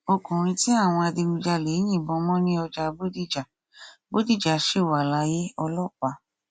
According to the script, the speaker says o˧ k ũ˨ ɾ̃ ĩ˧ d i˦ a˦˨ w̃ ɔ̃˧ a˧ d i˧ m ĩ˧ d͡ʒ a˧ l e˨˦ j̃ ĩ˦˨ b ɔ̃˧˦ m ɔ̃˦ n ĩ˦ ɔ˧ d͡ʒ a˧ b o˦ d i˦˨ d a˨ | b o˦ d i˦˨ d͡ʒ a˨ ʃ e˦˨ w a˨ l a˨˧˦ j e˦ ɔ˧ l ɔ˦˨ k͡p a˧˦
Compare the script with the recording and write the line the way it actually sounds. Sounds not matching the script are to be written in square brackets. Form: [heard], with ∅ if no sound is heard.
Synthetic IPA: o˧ k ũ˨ ɾ̃ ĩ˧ [t] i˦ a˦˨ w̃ ɔ̃˧ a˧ d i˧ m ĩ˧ d͡ʒ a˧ l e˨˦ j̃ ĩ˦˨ b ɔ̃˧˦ m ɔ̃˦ n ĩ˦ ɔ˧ d͡ʒ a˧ b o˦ d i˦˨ [d͡ʒ] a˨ | b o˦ d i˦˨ d͡ʒ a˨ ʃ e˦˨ w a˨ l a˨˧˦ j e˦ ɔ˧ l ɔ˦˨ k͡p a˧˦

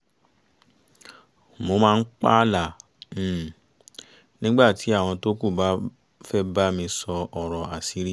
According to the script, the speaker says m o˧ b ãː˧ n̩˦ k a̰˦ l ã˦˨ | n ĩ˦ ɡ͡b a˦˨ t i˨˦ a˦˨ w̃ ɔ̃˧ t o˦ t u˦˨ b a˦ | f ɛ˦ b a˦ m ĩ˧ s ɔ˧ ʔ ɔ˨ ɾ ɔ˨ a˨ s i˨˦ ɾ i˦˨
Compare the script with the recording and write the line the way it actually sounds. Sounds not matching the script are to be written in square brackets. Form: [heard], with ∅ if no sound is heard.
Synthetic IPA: m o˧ [m] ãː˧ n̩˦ [k͡p] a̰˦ l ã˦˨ | n ĩ˦ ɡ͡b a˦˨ t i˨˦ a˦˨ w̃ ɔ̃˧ t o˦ [k] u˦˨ b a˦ | f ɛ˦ b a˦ m ĩ˧ s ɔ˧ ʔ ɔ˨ ɾ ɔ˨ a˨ s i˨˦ ɾ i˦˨

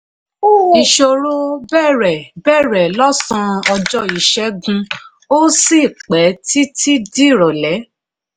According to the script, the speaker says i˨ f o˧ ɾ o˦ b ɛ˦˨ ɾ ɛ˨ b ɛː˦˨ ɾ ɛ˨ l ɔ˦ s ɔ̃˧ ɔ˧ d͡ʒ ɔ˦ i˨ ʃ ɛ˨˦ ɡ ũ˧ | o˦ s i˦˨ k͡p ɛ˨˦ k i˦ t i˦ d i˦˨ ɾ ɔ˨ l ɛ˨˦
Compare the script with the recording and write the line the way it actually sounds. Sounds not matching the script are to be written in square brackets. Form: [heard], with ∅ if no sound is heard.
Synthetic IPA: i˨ [ʃ] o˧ ɾ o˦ b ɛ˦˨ ɾ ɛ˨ b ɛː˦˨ ɾ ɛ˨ l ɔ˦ s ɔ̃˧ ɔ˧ d͡ʒ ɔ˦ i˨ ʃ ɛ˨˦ ɡ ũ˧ | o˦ s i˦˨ k͡p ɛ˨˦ [t] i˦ t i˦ d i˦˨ ɾ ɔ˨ l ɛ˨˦

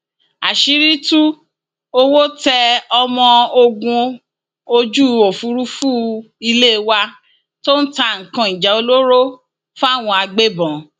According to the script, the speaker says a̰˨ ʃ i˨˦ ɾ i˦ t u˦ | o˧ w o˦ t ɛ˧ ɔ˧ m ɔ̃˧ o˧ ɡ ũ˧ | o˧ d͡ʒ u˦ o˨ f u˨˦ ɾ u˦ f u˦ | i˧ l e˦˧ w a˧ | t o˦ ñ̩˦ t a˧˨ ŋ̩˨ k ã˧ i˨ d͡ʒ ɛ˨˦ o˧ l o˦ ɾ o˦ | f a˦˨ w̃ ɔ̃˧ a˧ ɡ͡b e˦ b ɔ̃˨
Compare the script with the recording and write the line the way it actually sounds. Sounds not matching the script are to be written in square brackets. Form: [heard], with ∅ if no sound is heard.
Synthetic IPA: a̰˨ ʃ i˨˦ ɾ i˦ t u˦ | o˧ w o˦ t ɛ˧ ɔ˧ m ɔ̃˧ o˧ ɡ ũ˧ | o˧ d͡ʒ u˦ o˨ f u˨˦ ɾ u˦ f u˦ | i˧ l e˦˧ w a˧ | t o˦ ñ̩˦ t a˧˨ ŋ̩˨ k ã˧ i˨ d͡ʒ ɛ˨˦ o˧ l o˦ ɾ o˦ | f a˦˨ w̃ ɔ̃˧ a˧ ɡ͡b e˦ b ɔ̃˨

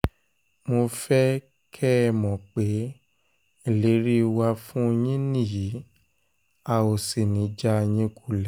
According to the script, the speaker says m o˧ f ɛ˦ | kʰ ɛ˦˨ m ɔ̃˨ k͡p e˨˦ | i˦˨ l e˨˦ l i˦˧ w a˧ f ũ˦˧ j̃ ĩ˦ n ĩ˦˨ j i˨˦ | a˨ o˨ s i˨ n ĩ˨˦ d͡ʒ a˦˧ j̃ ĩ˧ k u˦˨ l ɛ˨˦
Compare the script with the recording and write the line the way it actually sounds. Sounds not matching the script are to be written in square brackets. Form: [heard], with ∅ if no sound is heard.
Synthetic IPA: m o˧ f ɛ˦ | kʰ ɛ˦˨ m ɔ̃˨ k͡p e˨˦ | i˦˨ l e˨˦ [ɾ] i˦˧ w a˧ f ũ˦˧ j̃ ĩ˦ n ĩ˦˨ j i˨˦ | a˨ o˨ s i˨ n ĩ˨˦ d͡ʒ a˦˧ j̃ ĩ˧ k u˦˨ l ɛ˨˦

